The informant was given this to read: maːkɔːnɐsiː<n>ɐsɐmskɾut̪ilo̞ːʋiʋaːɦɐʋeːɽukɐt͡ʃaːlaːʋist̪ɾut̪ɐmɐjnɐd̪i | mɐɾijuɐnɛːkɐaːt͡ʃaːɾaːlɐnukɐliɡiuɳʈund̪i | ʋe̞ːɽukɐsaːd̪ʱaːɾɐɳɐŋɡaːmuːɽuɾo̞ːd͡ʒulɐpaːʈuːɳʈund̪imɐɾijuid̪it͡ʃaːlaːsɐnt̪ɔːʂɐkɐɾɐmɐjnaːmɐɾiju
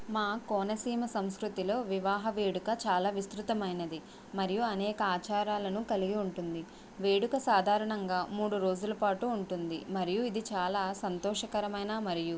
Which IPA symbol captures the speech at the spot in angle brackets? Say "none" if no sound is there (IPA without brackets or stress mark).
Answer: m